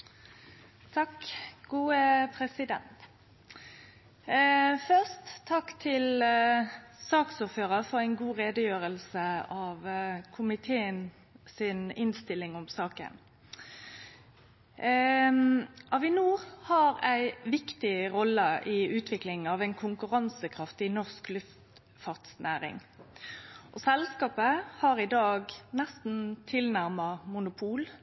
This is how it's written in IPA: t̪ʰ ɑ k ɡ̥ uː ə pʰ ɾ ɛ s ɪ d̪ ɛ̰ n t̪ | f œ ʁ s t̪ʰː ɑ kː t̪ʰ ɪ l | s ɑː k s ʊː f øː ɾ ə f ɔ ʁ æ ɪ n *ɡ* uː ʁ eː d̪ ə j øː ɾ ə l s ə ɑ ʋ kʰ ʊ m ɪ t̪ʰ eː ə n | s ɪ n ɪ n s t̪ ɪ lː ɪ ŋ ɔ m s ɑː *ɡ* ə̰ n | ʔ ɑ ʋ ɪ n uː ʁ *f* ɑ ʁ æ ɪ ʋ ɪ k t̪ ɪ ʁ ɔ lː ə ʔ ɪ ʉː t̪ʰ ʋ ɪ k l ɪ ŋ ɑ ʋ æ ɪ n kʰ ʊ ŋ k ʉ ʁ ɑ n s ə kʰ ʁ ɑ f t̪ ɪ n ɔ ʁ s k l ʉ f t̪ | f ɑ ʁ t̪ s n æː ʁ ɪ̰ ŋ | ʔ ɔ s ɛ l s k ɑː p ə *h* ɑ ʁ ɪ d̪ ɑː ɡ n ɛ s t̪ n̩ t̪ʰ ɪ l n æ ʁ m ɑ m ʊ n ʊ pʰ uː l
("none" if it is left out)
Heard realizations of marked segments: ɡ, k, h, h

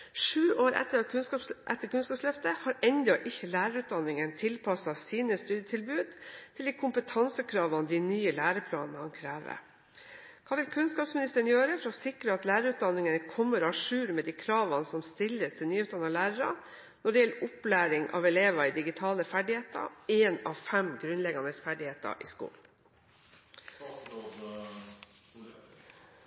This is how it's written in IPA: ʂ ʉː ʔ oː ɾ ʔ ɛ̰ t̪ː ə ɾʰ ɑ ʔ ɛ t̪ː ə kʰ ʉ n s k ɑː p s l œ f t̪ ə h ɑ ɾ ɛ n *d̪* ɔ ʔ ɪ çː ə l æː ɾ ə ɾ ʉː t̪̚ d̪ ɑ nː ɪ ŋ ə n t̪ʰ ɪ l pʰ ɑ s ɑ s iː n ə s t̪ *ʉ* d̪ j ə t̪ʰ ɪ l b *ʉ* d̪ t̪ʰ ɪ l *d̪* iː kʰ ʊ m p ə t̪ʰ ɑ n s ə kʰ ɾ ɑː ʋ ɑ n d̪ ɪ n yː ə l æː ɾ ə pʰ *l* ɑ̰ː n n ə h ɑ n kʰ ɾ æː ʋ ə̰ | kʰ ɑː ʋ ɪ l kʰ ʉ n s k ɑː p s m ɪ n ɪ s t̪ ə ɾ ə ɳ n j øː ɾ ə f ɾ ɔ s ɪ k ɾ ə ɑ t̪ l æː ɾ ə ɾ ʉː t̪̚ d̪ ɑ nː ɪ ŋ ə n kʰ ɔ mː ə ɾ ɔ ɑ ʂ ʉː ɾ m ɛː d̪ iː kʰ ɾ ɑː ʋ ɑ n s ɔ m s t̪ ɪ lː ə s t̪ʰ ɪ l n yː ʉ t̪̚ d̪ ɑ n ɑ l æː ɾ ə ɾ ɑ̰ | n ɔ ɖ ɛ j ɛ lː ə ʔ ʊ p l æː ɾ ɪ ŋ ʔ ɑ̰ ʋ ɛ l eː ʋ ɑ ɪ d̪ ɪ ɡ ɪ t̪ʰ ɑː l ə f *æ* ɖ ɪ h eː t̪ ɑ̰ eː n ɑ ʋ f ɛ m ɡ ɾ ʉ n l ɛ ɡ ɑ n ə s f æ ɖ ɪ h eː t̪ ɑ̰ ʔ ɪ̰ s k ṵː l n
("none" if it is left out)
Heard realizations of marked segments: d̪, ʉː, ʉː, d̪, l, æ

